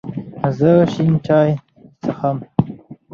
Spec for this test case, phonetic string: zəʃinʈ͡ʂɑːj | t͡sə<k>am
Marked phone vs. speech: incorrect: x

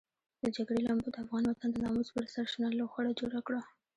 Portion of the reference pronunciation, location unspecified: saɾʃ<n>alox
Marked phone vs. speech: correct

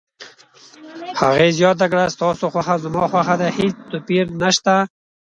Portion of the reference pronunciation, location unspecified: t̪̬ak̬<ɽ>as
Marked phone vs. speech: correct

